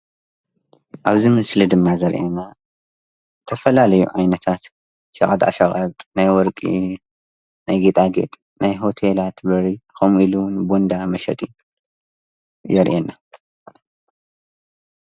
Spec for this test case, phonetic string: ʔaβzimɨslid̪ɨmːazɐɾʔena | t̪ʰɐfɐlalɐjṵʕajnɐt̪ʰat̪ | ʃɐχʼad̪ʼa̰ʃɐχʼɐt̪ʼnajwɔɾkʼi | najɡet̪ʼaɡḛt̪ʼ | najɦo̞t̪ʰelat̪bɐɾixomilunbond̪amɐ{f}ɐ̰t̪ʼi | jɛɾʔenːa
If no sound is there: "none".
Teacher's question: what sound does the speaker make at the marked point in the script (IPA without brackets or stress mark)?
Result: ʃ